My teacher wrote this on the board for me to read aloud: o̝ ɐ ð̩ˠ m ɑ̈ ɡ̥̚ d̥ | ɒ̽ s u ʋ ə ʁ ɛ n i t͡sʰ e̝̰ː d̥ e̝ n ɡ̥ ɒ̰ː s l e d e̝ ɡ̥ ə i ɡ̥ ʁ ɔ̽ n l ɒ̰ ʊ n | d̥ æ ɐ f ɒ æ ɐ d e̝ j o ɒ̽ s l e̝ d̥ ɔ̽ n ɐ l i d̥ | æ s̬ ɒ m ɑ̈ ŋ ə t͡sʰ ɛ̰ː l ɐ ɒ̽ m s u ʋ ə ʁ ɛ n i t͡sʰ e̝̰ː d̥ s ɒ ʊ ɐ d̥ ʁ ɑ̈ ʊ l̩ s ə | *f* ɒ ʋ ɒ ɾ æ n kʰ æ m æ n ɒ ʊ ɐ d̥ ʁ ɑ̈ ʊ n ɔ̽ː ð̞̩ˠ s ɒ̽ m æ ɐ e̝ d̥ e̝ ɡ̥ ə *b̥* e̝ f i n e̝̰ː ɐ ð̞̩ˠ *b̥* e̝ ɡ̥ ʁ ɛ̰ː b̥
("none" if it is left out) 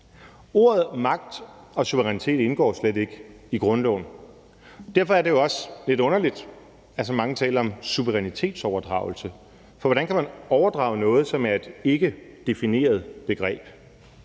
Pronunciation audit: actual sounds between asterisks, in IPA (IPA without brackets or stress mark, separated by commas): f, d̥, b̥